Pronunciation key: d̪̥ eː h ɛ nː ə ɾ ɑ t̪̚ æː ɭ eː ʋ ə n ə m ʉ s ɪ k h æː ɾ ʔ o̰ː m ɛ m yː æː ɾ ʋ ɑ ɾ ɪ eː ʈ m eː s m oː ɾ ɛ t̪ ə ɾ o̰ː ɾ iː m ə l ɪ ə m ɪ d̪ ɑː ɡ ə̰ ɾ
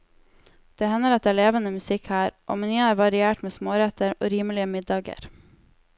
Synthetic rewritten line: d̪̥ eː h ɛ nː ə ɾ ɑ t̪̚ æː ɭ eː ʋ ə n ə m ʉ s ɪ k h æː ɾ ʔ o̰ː m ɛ n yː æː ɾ ʋ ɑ ɾ ɪ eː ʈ m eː s m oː ɾ ɛ t̪ ə ɾ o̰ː ɾ iː m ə l ɪ ə m ɪ d̪ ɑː ɡ ə̰ ɾ